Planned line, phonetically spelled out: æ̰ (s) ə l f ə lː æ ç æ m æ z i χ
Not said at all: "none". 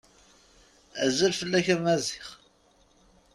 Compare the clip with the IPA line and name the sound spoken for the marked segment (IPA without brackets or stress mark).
z